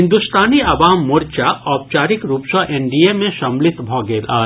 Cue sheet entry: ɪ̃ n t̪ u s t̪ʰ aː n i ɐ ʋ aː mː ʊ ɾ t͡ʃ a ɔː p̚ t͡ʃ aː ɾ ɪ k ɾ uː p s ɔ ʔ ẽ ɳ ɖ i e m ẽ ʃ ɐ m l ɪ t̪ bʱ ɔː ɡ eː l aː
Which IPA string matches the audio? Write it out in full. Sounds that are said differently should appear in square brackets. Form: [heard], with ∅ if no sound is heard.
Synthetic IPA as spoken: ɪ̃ n [d̪] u s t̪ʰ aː n i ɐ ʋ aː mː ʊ ɾ t͡ʃ a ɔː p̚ t͡ʃ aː ɾ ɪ k ɾ uː p s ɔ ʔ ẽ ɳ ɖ i e m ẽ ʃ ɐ m l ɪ t̪ bʱ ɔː ɡ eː l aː